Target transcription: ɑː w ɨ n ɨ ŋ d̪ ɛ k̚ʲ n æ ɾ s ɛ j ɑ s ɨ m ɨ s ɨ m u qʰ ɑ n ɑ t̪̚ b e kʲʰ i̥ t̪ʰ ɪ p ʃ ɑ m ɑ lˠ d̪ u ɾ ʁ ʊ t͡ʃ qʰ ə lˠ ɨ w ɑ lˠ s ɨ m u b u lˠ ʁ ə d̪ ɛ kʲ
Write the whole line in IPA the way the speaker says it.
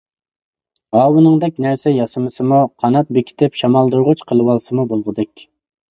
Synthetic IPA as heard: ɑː w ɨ n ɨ ŋ d̪ ɛ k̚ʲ n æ ɾ s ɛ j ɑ s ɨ m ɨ s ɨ m u qʰ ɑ n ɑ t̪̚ b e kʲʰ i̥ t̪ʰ ɪ p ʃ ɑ m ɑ lˠ d̪ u ɾ ʁ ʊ t͡ʃ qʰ ə lˠ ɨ w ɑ lˠ s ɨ m u b o lˠ ʁ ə d̪ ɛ kʲ

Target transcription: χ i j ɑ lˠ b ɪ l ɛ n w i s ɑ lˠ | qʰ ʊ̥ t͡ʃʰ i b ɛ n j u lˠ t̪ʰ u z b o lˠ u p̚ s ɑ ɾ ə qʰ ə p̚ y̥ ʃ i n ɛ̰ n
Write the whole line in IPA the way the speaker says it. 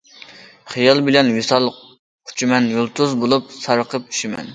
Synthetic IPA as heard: χ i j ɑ lˠ b ɪ l ɛ n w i s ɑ lˠ | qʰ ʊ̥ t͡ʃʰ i m ɛ n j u lˠ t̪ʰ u z b o lˠ u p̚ s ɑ ɾ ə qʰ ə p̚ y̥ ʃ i m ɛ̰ n

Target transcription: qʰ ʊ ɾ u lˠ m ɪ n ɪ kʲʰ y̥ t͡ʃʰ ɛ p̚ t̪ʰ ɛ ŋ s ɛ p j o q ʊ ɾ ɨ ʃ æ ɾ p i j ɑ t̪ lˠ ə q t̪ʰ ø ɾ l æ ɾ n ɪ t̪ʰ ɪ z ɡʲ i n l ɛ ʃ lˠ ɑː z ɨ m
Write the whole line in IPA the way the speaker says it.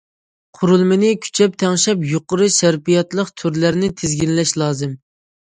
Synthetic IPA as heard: qʰ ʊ ɾ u lˠ m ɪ n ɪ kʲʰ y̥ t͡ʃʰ ɛ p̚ t̪ʰ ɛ ŋ ʃ ɛ p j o q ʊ ɾ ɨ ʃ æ ɾ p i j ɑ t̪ lˠ ə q t̪ʰ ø ɾ l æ ɾ n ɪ t̪ʰ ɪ z ɡʲ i n l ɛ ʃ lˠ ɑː z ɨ m

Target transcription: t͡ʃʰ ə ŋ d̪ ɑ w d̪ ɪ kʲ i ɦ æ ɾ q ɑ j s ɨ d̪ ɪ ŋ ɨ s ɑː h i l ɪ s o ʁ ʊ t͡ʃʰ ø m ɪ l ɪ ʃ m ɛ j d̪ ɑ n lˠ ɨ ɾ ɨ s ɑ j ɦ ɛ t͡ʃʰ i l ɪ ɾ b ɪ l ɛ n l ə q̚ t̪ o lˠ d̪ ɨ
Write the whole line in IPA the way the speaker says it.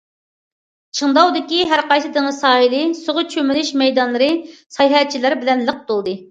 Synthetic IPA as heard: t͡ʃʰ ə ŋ d̪ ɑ w d̪ ɪ kʲ i ɦ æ ɾ q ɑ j s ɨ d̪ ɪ ŋ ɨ s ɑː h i l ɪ s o ʁ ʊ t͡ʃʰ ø m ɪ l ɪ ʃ m ɛ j d̪ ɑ n lˠ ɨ ɾ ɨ s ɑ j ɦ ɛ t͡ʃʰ i l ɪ ɾ b ɪ l ɛ n l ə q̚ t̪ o lˠ d̪ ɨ

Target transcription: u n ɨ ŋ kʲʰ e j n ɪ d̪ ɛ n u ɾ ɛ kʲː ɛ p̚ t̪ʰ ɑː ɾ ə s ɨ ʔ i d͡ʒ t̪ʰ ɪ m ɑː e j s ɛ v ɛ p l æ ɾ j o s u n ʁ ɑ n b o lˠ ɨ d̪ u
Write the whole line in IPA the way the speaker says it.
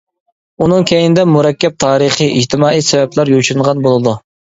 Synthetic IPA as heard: u n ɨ ŋ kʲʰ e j n ɪ d̪ ɛ m u ɾ ɛ kʲː ɛ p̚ t̪ʰ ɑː ɾ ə χ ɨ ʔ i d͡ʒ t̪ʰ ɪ m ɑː i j s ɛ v ɛ p l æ ɾ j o ʃ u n ʁ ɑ n b o lˠ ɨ d̪ u

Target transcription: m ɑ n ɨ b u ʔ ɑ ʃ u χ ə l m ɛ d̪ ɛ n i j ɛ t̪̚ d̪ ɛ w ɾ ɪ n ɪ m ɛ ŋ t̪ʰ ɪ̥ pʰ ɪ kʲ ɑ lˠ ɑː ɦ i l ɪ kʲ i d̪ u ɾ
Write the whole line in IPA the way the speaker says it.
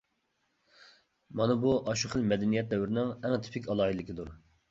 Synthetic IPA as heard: m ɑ n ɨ b u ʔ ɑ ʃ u χ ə l m ɛ d̪ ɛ n i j ɛ t̪̚ d̪ ɛ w ɾ ɪ n ɪ ŋ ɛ ŋ t̪ʰ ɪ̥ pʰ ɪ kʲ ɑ lˠ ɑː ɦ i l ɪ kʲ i d̪ u ɾ

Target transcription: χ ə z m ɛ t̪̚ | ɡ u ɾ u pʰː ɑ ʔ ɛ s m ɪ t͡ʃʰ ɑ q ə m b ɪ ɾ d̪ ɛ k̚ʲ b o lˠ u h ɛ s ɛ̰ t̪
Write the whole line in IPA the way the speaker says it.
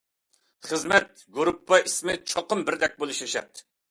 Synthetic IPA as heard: χ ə z m ɛ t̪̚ | ɡ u ɾ u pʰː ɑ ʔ i s m ɪ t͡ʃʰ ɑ q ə m b ɪ ɾ d̪ ɛ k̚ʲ b o lˠ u ʃ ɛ ʃ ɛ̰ t̪

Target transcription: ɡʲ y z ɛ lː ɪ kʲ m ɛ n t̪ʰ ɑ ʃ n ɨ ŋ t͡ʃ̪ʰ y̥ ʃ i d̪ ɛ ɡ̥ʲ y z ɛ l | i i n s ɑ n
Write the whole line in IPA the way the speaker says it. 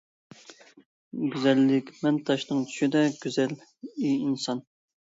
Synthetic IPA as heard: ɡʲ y z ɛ lː ɪ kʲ m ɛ n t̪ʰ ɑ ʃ n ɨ ŋ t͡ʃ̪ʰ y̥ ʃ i d̪ ɛ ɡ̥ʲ y z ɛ l | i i n s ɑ n

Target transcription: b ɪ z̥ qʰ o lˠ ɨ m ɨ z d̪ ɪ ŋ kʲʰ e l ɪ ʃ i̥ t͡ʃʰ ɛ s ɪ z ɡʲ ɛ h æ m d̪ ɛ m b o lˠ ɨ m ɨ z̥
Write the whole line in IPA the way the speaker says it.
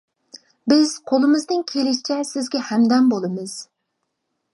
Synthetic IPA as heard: b ɪ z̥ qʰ o lˠ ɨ m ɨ z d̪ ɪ ŋ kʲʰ e l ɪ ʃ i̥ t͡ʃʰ ɛ s ɪ z ɡʲ ɛ h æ m d̪ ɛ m b o lˠ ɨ m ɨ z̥

